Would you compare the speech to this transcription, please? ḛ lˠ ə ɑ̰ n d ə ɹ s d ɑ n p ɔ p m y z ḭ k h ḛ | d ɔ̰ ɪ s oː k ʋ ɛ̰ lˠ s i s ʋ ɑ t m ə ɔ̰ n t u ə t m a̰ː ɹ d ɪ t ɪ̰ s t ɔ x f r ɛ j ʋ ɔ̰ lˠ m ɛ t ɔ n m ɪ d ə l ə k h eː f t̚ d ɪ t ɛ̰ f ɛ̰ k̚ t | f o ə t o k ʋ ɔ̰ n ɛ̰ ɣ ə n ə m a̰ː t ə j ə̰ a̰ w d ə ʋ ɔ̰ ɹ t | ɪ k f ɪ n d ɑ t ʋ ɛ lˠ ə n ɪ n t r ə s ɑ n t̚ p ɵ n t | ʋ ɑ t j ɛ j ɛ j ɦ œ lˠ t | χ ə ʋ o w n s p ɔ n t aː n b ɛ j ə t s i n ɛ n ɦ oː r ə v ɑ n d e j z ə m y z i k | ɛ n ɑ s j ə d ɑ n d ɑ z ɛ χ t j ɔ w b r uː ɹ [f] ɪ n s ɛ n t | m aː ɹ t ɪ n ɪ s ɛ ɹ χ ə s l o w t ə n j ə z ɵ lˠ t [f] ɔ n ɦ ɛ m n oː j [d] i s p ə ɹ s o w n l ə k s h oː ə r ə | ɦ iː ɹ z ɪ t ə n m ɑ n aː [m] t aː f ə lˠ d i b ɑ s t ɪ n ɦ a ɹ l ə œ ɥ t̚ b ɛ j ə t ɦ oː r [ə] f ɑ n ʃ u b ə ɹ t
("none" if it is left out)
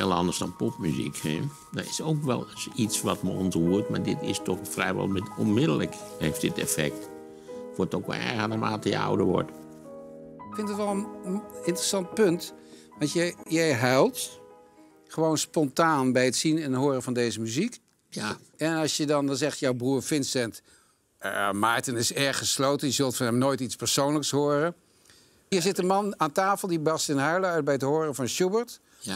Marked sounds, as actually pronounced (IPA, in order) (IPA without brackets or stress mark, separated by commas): f, f, t, n, ə